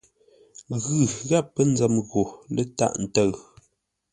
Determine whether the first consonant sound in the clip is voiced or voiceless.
voiced